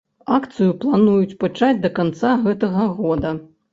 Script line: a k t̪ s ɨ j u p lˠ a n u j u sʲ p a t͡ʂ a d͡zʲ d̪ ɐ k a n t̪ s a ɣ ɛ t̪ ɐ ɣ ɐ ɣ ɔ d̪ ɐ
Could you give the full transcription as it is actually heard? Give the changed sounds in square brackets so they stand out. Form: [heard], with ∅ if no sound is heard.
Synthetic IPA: a k t̪ s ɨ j u p lˠ a n u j u [t͡sʲ] p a t͡ʂ a d͡zʲ d̪ ɐ k a n t̪ s a ɣ ɛ t̪ ɐ ɣ ɐ ɣ ɔ d̪ ɐ